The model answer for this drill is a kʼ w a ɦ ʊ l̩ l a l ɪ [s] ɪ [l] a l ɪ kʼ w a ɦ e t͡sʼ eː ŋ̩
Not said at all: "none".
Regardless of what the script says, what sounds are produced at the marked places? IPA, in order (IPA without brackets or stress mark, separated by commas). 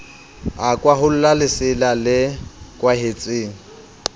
s, l